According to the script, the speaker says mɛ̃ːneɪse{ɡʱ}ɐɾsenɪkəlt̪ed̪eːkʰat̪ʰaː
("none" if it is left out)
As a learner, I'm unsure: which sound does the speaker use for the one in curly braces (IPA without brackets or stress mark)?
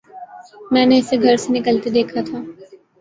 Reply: ɡʱ